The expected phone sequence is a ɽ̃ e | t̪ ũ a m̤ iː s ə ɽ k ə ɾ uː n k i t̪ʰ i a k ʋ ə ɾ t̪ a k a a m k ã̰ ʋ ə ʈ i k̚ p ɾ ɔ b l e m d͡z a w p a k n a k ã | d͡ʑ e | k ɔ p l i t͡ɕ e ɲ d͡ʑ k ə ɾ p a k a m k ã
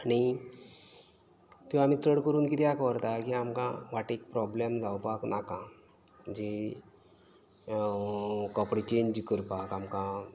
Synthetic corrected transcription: a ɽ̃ i | t̪ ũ a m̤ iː t͡s ə ɽ k ə ɾ uː n k i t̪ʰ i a k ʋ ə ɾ t̪ a k i a m k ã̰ ʋ a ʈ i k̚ p ɾ ɔ b l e m d͡z a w p a k n a k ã | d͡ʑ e | k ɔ p ɽ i t͡ɕ e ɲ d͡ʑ k ə ɾ p a k a m k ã